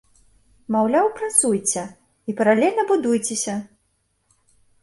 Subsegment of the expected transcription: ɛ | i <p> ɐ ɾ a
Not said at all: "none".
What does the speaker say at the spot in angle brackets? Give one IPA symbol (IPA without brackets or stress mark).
p